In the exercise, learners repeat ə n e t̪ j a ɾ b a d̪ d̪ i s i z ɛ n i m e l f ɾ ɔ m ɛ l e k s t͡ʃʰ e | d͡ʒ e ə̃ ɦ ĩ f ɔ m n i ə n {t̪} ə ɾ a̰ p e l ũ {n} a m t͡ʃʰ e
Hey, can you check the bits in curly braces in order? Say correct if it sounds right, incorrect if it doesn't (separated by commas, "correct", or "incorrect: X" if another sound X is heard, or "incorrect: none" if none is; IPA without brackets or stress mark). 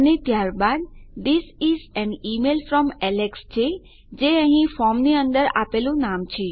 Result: incorrect: d̪, correct